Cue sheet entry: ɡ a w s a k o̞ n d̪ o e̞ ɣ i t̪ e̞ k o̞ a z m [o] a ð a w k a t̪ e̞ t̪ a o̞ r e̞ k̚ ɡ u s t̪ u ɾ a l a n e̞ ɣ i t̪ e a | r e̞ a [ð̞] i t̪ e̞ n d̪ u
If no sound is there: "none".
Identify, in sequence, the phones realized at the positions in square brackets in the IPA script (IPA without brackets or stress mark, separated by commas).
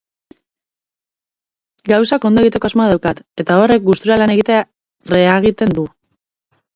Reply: o, ɣ̞